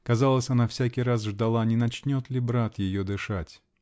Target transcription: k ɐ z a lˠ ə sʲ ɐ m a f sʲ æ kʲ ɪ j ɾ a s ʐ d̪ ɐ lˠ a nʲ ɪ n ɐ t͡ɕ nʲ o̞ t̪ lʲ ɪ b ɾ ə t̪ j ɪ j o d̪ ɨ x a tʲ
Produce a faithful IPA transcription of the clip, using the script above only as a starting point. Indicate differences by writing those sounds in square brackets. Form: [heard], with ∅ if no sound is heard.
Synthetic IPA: k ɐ z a lˠ ə sʲ ɐ [n] a f sʲ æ kʲ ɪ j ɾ a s ʐ d̪ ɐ lˠ a nʲ ɪ n ɐ t͡ɕ nʲ o̞ t̪ lʲ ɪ b ɾ [a] t̪ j ɪ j o d̪ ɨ [ʂ] a tʲ